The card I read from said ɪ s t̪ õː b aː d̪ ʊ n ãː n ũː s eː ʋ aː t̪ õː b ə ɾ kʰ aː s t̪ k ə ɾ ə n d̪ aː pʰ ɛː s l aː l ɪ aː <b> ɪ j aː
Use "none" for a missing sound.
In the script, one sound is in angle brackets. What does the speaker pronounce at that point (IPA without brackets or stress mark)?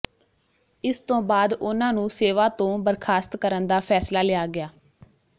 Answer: ɡ